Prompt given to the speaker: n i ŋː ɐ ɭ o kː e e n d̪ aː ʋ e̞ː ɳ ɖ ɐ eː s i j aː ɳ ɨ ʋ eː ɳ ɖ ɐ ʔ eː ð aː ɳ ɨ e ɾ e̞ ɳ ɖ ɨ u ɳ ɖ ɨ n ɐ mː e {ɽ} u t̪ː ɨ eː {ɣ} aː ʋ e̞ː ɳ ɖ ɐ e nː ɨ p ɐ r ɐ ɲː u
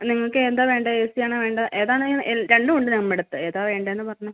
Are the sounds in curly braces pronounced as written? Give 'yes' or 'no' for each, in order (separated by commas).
yes, no